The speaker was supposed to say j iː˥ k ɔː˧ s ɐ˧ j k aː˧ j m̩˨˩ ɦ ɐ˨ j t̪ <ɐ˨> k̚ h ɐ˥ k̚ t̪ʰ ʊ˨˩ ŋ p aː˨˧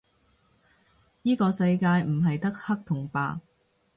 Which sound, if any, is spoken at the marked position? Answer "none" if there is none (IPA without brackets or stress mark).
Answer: ɐ˥